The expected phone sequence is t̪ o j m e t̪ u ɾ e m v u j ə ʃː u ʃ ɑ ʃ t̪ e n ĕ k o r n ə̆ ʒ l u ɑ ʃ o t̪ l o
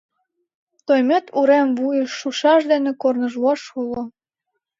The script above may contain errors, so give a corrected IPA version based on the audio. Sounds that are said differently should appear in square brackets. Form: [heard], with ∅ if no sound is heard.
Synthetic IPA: t̪ o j m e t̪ u ɾ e m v u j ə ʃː u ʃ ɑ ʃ [d̪] e n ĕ k o r n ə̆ ʒ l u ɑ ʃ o [∅] l o